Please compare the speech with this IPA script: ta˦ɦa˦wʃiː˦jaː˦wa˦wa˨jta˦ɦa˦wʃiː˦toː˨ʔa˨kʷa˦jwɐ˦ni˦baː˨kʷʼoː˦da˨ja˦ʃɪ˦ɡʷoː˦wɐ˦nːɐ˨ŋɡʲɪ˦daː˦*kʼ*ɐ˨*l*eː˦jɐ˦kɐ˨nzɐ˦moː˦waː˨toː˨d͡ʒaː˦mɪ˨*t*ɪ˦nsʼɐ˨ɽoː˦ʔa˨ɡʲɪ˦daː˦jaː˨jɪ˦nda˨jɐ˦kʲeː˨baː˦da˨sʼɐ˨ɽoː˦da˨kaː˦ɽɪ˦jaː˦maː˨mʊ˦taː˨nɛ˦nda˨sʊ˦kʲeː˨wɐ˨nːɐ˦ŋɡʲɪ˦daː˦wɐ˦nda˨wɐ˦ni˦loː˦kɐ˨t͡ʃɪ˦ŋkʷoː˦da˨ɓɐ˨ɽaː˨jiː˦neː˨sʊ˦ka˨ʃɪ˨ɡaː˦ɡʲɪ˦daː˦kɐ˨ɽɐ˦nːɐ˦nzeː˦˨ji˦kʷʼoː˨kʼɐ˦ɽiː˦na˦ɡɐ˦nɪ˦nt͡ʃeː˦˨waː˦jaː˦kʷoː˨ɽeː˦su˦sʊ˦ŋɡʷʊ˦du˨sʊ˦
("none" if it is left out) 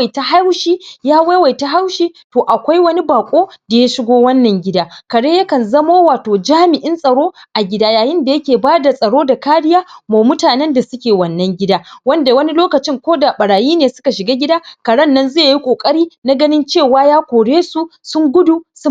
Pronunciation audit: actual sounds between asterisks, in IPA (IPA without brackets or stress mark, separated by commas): k, ɽ, ʔ